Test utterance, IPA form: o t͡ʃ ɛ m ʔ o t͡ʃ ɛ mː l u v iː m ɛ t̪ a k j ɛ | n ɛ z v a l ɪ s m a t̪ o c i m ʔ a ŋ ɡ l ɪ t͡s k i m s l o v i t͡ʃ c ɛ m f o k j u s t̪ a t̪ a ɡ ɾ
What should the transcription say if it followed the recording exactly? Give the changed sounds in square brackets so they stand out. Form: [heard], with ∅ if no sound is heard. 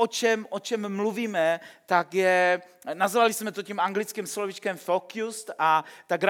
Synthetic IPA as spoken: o t͡ʃ ɛ m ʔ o t͡ʃ ɛ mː l u v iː m ɛ t̪ a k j ɛ | n [a] z v a l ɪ s m [ɛ] t̪ o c i m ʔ a ŋ ɡ l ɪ t͡s k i m s l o v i t͡ʃ [k] ɛ m f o k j u s t̪ a t̪ a ɡ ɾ